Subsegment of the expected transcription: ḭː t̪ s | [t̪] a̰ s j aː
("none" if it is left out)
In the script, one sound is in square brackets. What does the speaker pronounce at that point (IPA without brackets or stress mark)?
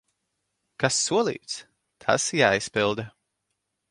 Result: t̪ʰ